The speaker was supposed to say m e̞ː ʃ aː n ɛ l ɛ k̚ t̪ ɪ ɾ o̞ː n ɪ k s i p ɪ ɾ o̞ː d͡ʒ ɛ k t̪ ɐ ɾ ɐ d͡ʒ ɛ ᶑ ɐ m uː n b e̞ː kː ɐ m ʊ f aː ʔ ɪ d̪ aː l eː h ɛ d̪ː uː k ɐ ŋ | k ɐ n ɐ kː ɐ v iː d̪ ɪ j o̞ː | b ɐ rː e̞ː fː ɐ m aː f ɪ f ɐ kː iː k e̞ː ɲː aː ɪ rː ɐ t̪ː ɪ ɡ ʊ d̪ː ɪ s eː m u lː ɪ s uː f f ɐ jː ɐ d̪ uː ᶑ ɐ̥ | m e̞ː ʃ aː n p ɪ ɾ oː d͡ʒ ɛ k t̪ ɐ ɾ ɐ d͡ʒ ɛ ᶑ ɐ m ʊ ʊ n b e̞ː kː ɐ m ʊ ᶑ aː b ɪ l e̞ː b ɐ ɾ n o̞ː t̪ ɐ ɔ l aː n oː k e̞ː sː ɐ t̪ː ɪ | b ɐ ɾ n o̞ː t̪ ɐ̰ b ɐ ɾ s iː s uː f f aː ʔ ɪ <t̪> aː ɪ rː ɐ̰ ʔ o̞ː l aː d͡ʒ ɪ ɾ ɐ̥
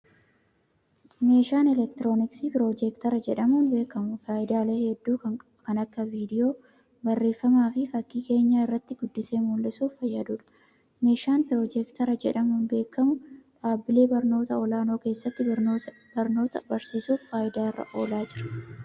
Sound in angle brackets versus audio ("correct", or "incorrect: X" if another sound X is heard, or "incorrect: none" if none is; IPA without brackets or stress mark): incorrect: d̪